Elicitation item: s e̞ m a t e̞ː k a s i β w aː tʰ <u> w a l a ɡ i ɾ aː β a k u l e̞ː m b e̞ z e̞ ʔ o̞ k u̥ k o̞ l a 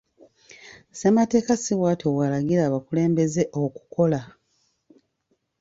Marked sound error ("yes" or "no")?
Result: yes